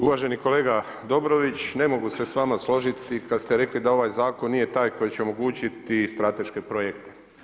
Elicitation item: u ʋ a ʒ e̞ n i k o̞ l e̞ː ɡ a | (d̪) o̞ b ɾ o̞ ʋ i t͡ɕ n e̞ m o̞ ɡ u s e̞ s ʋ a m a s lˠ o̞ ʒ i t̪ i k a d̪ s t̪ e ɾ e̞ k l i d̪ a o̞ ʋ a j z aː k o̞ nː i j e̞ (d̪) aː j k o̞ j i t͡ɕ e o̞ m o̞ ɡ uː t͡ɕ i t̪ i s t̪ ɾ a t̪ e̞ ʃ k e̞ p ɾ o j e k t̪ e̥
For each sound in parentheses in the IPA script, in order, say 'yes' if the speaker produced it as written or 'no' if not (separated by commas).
yes, no